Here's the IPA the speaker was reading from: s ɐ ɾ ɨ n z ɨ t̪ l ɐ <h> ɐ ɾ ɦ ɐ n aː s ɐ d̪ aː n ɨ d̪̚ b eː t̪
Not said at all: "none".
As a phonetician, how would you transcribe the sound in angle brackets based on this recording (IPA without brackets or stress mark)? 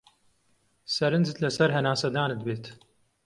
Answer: s